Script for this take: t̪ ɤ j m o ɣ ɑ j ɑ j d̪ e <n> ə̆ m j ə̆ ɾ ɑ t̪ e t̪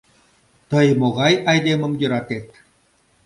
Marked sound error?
yes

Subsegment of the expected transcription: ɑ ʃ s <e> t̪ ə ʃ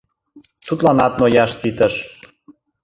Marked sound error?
yes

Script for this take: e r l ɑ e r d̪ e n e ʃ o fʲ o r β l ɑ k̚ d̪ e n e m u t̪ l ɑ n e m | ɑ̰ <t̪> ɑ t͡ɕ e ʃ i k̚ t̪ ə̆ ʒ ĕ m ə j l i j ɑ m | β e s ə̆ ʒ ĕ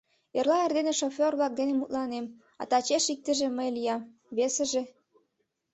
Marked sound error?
no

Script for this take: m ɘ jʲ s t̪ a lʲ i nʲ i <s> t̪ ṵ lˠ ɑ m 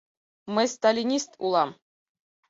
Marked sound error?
no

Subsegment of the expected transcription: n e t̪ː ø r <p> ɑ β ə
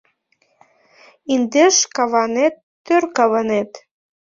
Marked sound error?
yes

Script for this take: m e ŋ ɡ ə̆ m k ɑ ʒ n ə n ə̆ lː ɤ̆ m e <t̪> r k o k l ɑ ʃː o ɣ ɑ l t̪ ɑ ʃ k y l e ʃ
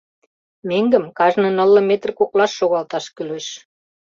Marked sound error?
no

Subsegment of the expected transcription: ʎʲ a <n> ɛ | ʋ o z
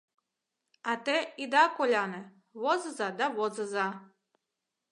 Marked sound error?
no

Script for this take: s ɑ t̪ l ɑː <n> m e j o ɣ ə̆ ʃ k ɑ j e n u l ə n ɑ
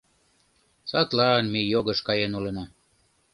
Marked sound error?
no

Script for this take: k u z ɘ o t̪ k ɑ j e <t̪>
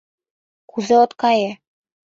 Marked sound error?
yes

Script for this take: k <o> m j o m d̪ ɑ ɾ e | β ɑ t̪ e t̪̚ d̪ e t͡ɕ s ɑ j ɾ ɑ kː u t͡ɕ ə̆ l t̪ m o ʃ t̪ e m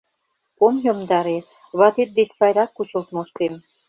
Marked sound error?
no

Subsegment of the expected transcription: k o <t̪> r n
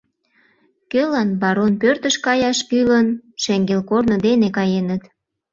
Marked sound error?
yes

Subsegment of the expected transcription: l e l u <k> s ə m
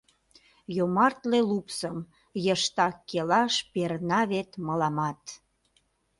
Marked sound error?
yes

